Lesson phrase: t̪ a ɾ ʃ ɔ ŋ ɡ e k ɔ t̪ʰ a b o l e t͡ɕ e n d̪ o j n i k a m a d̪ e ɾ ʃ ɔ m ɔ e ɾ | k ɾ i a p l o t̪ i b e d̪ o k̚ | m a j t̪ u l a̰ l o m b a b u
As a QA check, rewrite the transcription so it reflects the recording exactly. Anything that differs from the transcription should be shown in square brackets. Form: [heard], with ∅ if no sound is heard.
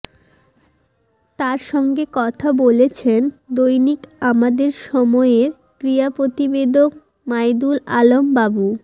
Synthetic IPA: t̪ a ɾ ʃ ɔ ŋ ɡ e k ɔ t̪ʰ a b o l e [t͡ɕʰ] e n d̪ o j n i k a m a d̪ e ɾ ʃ ɔ m ɔ e ɾ | k ɾ i a p [ɾ] o t̪ i b e d̪ o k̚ | m a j [d̪] u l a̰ l o m b a b u